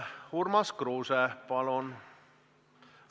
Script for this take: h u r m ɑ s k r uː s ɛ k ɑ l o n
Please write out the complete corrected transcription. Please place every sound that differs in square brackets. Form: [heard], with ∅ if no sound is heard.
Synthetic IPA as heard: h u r m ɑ s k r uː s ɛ [p] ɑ l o n